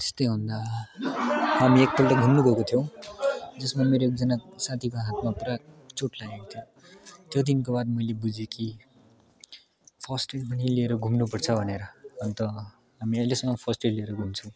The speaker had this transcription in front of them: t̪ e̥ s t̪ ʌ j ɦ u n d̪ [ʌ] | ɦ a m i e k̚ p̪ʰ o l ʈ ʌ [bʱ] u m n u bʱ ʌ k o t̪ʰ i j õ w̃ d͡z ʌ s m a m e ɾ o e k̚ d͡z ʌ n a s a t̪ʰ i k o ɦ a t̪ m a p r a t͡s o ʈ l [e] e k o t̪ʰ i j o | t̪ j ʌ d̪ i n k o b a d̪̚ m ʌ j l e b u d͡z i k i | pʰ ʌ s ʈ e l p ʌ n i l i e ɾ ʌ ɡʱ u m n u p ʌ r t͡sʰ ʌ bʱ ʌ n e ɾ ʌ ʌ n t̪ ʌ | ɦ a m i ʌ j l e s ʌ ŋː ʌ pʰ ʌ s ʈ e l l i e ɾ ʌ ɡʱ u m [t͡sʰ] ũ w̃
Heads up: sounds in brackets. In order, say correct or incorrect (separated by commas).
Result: incorrect, incorrect, incorrect, correct